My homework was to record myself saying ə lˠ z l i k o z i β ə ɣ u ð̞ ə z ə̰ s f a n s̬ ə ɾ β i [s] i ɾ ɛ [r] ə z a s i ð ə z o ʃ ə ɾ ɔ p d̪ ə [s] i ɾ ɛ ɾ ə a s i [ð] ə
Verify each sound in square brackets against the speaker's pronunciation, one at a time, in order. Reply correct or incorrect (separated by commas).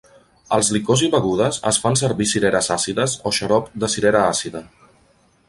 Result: correct, incorrect, correct, correct